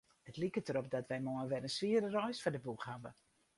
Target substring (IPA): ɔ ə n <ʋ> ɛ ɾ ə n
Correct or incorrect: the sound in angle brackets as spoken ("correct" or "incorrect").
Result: correct